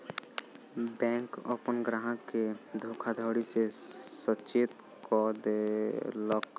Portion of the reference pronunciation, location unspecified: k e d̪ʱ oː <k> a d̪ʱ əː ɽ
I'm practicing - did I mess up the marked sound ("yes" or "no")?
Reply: yes